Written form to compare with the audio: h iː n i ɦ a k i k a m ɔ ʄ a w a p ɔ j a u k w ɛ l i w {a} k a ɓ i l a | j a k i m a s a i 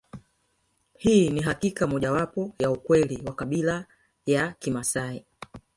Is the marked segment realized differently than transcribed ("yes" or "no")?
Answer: no